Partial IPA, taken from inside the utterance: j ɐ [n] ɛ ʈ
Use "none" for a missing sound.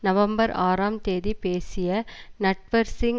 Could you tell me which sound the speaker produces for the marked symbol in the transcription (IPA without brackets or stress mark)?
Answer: n